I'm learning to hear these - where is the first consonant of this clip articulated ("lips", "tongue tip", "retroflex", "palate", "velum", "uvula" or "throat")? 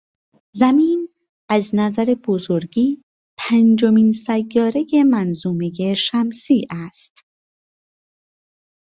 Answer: tongue tip